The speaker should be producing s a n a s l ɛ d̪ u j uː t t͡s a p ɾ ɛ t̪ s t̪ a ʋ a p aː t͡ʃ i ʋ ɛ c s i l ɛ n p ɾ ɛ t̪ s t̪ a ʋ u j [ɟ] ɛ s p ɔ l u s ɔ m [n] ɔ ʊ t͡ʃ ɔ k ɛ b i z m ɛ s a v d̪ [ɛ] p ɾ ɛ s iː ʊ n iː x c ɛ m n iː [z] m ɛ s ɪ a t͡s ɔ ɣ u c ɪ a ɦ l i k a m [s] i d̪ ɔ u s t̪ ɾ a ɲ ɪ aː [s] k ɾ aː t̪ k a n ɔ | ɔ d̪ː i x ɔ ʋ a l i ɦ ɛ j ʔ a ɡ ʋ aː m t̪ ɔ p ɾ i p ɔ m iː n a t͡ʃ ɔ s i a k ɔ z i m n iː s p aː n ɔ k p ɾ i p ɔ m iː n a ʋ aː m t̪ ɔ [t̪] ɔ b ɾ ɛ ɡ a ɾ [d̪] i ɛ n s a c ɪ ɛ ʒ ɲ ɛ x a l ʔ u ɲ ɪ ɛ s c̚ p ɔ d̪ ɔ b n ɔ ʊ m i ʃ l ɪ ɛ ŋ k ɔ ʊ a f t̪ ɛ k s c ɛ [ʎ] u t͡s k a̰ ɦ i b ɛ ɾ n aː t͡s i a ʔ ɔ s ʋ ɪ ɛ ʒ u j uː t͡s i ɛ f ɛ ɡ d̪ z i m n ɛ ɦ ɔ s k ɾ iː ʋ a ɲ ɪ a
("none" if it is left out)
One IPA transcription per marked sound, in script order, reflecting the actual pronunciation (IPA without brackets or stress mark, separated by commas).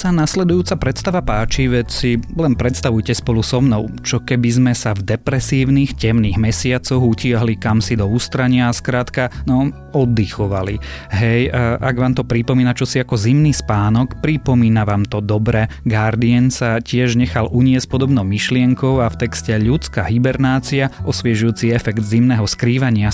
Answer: c, n, ɛ, ɣ, s, s, d̪, d̪, ʎ